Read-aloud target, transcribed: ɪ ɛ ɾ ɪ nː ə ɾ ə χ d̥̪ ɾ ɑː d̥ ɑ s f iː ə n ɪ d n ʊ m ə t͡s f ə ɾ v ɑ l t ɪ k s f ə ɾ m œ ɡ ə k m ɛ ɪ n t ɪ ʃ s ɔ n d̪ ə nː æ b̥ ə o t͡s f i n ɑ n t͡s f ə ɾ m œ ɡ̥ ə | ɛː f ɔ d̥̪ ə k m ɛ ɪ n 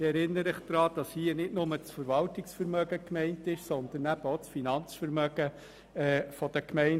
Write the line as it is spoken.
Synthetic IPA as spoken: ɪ ɛ ɾ ɪ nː ə ɾ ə χ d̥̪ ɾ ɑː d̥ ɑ s h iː ə n ɪ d n ʊ m ə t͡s f ə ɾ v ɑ l t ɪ k s f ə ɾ m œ ɡ ə k m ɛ ɪ n t ɪ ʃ s ɔ n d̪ ə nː æ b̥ ə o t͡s f i n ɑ n t͡s f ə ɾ m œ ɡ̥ ə | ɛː f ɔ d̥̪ ə k m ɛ ɪ n